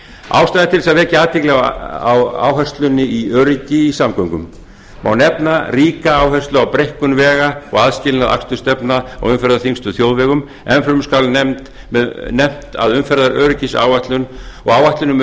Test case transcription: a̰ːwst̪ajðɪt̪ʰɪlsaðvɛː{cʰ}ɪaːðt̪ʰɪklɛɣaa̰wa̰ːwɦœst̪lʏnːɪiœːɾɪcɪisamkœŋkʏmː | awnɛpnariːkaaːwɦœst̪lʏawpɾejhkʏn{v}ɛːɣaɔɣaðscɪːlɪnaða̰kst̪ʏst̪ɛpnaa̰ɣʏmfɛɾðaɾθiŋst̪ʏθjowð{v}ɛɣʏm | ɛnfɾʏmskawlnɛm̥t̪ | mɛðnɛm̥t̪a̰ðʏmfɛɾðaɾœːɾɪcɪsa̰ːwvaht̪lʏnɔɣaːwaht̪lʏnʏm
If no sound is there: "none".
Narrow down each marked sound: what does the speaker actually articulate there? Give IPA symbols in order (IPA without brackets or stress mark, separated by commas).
c, v, v